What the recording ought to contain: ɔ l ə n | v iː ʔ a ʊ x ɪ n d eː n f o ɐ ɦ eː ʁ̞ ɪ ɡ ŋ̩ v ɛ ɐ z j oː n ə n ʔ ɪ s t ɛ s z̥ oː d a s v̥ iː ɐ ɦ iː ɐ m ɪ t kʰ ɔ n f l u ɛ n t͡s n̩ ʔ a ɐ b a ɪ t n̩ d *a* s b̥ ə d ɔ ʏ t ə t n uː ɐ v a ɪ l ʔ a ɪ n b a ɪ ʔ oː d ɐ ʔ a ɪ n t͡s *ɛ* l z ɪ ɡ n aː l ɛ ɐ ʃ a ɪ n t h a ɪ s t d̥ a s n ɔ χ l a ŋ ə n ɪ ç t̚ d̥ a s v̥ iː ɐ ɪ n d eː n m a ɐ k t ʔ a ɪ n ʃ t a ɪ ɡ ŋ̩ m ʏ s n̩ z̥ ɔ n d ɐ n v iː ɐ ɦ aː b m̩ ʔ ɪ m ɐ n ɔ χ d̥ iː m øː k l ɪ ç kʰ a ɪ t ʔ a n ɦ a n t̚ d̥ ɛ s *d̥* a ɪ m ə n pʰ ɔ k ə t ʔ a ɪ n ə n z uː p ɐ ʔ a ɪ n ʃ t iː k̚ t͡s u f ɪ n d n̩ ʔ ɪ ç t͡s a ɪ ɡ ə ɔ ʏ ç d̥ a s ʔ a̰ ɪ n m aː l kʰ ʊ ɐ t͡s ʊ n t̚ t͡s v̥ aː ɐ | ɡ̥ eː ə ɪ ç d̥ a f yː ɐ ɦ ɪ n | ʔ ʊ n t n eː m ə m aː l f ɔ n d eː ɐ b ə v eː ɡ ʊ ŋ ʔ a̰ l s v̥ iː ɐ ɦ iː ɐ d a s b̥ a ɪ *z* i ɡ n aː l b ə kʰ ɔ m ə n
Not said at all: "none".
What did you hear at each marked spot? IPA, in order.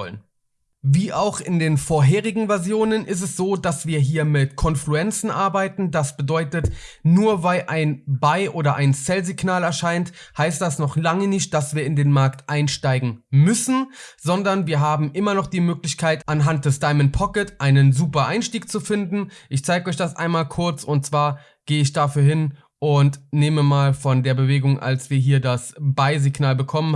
a, ɛ, d̥, z

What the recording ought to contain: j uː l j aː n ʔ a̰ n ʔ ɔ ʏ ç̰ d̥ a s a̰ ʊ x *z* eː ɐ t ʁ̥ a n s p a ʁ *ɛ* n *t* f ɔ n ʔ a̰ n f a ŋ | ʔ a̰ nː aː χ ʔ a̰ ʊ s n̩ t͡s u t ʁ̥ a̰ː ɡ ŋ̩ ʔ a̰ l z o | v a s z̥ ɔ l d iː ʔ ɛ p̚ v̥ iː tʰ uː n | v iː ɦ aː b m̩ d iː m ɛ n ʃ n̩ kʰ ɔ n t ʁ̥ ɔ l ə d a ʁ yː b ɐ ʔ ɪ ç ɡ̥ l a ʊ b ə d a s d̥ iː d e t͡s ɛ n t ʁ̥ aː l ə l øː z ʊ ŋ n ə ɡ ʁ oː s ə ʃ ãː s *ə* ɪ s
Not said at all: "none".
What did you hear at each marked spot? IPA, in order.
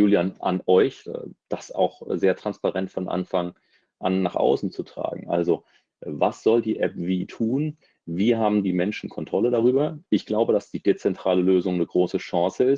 z, ɛ, t, ə

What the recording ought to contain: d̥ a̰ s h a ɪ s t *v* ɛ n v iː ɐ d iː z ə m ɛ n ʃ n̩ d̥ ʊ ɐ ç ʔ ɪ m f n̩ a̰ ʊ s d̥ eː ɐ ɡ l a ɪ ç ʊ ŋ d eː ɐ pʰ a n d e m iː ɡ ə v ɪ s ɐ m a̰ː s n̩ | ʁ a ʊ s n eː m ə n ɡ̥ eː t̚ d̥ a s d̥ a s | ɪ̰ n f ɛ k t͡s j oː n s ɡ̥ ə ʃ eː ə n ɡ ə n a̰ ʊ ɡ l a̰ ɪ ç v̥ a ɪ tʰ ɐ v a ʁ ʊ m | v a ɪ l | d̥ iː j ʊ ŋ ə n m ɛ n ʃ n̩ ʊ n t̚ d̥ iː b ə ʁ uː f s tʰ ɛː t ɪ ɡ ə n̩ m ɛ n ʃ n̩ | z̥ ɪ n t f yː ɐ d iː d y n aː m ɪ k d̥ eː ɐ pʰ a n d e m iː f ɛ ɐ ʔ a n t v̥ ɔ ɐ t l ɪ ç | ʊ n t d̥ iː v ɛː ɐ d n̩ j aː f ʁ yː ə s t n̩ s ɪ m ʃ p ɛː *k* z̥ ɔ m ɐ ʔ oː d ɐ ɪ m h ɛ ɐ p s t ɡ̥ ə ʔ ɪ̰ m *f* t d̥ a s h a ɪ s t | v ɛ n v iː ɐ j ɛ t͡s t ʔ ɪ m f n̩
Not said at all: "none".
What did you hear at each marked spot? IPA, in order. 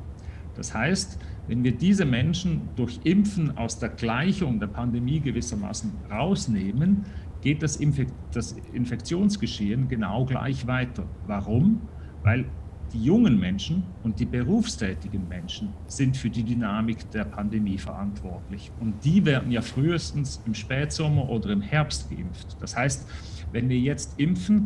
v, t, f

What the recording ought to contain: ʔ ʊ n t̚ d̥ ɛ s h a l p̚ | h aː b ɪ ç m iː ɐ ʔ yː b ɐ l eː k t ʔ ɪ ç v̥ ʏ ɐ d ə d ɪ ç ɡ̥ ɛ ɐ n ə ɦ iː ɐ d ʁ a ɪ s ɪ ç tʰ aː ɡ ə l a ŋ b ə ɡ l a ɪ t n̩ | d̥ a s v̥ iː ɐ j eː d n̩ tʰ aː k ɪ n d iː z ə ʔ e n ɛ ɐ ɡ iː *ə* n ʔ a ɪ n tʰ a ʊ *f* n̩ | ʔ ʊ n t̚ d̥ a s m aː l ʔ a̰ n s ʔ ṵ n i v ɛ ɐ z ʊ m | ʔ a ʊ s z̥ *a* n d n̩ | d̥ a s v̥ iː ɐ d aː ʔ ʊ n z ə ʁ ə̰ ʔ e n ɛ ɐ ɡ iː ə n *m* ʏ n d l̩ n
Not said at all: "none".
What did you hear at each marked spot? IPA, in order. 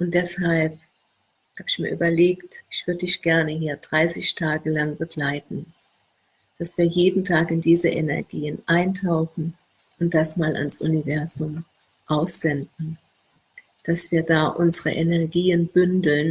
ə, x, ɛ, b

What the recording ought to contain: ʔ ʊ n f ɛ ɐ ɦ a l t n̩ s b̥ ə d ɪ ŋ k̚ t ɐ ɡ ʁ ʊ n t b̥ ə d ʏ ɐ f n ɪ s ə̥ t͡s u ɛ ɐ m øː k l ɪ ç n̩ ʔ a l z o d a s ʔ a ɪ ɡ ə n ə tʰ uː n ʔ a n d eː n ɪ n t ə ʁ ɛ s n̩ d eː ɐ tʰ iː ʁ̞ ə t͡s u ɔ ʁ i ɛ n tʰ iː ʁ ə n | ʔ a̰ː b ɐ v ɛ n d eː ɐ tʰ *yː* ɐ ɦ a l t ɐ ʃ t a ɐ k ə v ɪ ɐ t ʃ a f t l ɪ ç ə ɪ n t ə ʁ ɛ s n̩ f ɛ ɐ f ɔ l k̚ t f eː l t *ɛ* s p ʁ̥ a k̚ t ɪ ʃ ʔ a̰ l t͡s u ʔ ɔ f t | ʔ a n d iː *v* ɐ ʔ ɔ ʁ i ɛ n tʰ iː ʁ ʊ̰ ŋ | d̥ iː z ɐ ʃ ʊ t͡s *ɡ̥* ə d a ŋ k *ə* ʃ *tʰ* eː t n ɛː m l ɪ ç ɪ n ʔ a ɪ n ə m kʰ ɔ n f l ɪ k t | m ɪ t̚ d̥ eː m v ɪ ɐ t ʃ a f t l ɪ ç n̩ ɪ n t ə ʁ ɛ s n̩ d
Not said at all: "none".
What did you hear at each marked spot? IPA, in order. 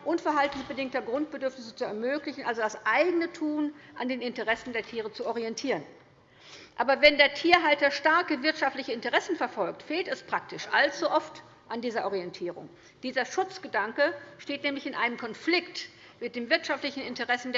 iː, ɛ, z, ɡ̥, ə, t

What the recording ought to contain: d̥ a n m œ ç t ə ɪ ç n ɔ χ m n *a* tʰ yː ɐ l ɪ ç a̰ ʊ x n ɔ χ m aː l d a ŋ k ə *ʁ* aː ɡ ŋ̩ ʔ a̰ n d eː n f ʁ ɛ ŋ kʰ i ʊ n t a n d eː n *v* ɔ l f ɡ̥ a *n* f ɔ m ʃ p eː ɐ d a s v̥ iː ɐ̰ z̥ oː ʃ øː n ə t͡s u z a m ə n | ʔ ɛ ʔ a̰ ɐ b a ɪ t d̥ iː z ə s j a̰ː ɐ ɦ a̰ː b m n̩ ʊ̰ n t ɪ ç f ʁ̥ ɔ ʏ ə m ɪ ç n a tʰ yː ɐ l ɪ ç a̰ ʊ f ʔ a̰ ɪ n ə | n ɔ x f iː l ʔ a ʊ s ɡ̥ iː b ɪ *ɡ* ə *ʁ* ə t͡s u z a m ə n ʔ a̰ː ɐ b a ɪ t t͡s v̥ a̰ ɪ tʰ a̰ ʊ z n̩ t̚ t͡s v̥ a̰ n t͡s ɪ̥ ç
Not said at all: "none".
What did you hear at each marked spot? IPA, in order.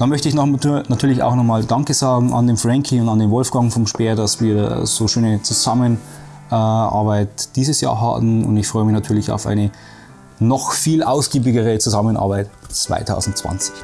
a, z, v, ŋ, ɡ, ʁ

